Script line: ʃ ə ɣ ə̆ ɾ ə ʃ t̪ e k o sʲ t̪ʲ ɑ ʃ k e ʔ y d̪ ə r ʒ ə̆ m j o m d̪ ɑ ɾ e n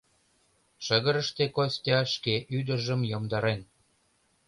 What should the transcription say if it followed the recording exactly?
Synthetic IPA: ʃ ə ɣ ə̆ ɾ ə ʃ t̪ e k o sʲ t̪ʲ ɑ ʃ k e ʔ y d̪ ə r ʒ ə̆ m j o m d̪ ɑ ɾ e n